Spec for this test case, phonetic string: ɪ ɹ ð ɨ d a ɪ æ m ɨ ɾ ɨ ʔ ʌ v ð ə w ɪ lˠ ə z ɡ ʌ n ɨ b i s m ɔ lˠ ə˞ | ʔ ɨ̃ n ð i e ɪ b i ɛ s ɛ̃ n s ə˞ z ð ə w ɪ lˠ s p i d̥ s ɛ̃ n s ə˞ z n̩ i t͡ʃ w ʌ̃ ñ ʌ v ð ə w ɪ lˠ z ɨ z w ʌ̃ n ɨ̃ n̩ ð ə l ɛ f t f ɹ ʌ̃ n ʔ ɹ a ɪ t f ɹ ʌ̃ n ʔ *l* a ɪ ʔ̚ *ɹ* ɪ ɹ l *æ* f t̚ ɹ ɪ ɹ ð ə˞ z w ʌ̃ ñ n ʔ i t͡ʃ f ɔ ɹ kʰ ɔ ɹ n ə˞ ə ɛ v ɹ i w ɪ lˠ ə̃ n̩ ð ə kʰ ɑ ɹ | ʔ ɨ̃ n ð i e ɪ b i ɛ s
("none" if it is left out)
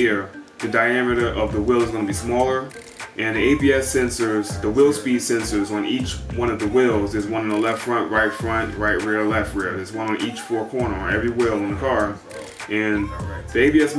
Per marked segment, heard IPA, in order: ɹ, ɹ, ɛ

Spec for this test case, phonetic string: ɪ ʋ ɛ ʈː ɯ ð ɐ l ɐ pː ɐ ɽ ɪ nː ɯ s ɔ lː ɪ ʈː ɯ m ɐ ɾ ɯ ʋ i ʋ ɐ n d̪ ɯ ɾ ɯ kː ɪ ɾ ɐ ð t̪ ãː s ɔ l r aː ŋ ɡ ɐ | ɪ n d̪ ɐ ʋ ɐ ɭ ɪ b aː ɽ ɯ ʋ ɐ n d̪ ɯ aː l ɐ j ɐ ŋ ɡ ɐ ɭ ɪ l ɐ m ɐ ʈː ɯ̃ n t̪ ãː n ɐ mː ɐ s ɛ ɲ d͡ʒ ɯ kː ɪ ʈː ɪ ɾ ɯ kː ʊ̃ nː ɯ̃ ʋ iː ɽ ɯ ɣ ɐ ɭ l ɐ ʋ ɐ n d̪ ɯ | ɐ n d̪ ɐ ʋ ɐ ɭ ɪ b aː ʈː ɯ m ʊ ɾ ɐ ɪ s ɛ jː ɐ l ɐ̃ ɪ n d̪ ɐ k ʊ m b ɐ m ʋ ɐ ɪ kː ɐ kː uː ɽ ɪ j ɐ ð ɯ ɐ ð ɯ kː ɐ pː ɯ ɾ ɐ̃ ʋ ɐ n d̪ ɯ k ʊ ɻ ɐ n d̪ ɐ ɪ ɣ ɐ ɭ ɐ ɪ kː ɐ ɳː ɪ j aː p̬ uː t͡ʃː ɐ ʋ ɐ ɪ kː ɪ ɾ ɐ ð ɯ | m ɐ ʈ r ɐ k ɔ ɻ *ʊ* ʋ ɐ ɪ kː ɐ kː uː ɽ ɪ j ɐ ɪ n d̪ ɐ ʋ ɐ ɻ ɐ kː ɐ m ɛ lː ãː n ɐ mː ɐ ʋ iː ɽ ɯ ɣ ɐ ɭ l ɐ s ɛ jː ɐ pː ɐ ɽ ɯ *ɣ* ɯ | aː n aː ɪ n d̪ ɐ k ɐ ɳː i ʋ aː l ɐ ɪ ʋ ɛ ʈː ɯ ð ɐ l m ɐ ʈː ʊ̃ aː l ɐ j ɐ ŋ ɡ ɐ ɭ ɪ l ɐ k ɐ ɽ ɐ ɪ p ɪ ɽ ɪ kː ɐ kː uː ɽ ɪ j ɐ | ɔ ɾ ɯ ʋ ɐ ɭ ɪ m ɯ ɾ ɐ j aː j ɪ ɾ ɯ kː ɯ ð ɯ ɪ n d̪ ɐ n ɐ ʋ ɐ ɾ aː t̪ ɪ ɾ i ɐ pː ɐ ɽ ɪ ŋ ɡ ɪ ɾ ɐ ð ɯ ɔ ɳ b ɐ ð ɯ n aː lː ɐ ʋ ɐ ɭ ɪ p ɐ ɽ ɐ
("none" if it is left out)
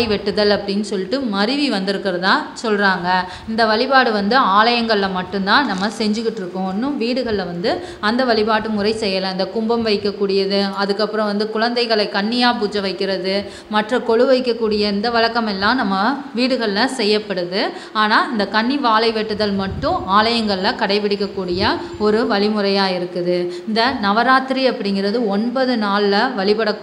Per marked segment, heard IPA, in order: ɯ, ð

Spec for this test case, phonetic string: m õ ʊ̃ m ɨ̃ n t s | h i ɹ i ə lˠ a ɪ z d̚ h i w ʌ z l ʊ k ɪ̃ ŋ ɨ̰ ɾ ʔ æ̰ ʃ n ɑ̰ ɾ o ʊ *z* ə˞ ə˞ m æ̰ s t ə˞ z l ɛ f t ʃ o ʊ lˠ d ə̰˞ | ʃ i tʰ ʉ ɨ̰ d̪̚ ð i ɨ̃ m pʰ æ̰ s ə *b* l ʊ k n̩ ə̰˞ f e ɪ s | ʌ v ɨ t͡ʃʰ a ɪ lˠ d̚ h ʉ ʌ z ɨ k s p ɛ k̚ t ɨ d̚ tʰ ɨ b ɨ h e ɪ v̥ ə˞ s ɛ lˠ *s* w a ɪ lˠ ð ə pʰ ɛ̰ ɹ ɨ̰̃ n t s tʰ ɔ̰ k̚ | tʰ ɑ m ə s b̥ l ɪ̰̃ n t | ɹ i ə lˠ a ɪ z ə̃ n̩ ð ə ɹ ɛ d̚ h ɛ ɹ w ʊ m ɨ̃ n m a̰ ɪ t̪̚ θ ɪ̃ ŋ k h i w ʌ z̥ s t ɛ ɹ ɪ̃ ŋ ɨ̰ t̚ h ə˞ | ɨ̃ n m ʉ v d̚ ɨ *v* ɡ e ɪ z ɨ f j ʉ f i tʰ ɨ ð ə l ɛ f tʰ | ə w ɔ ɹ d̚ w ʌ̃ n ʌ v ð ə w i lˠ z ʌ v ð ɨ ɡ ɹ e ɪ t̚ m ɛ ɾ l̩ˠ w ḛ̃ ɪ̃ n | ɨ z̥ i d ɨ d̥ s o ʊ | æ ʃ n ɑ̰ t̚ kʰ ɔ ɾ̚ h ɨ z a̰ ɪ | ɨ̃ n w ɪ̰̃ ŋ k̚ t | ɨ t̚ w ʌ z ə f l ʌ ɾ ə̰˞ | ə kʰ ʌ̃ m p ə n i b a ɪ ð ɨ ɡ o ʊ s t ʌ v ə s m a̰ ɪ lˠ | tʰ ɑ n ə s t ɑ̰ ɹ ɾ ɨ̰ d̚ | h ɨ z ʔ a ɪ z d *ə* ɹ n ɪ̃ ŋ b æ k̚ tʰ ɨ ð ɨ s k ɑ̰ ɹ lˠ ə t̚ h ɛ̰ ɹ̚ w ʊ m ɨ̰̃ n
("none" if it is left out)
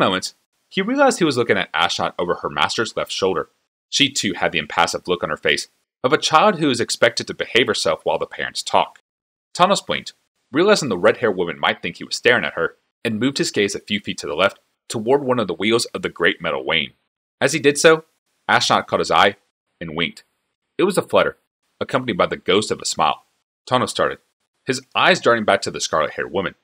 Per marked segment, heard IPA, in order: v, v, f, z, ɑ

